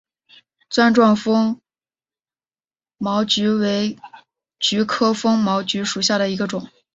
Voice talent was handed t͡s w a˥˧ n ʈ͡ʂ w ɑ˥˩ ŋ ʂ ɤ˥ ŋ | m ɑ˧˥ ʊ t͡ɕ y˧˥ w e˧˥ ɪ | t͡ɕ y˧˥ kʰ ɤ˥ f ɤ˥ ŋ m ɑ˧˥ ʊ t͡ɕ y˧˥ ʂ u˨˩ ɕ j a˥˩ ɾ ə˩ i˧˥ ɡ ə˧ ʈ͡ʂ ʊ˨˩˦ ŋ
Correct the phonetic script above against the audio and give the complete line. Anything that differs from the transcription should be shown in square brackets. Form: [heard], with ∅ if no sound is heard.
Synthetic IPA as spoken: t͡s w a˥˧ n ʈ͡ʂ w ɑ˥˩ ŋ [f] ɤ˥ ŋ | m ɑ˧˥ ʊ t͡ɕ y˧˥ w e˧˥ ɪ | t͡ɕ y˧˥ kʰ ɤ˥ f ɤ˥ ŋ m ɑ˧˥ ʊ t͡ɕ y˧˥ ʂ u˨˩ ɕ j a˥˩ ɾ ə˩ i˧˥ ɡ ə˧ ʈ͡ʂ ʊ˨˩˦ ŋ